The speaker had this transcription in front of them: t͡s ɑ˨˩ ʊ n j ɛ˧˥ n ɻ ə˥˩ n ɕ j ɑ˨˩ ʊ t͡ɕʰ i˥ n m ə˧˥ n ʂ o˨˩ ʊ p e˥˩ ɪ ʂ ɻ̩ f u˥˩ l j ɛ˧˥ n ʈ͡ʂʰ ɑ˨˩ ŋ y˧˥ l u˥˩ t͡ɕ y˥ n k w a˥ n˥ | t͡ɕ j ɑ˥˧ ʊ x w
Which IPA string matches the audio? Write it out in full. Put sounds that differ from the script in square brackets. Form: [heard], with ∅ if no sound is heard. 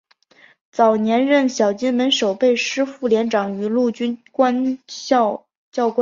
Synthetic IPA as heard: t͡s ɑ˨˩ ʊ n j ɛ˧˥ n ɻ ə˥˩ n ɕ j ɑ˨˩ ʊ [t͡ɕ] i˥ n m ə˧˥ n ʂ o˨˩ ʊ p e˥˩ ɪ ʂ ɻ̩ f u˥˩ l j ɛ˧˥ n [ʈ͡ʂ] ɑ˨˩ ŋ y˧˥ l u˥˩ t͡ɕ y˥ n k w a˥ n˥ | t͡ɕ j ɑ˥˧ ʊ [k] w